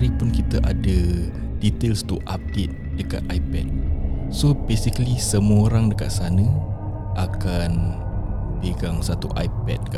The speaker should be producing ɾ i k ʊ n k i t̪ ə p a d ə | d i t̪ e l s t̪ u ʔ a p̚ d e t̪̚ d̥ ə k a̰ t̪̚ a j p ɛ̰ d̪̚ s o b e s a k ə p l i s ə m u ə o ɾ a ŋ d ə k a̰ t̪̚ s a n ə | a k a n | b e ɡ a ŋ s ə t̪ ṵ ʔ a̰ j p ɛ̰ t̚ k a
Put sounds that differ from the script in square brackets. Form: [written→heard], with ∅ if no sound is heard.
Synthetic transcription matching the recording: ɾ i [k→p] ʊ n k i t̪ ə [p→ʔ] a d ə | d i t̪ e l s t̪ u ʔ a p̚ d e t̪̚ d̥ ə k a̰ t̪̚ a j p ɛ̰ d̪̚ s o b e s [a→i] k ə [p→∅] l i s ə m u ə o ɾ a ŋ d ə k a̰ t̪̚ s a n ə | a k a n | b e ɡ a ŋ s [ə→a] t̪ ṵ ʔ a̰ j p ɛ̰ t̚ k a